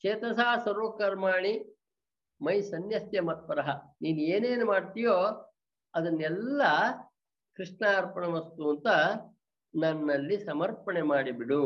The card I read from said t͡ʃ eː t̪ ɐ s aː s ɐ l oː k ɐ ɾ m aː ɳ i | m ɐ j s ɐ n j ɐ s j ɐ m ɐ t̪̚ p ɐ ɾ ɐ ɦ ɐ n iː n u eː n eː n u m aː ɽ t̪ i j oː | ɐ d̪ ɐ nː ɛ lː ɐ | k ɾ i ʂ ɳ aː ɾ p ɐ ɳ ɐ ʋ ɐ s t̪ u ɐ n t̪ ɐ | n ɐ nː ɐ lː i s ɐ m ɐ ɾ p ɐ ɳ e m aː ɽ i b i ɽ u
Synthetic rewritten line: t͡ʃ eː t̪ ɐ s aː s ɐ ɾ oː k ɐ ɾ m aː ɳ i | m ɐ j s ɐ n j ɐ s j ɐ m ɐ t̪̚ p ɐ ɾ ɐ ɦ ɐ n iː n u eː n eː n u m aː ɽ t̪ i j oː | ɐ d̪ ɐ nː ɛ lː ɐ | k ɾ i ʂ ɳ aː ɾ p ɐ ɳ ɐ ʋ ɐ s t̪ u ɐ n t̪ ɐ | n ɐ nː ɐ lː i s ɐ m ɐ ɾ p ɐ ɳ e m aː ɽ i b i ɽ u